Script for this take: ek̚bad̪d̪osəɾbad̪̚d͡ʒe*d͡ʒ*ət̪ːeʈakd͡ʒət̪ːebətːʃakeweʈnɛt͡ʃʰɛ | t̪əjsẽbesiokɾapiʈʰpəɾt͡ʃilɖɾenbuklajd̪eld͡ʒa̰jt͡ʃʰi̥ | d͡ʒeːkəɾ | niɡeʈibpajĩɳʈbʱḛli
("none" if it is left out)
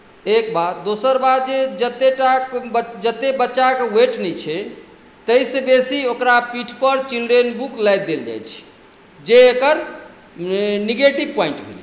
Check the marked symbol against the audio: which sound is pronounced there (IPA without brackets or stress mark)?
d͡ʒ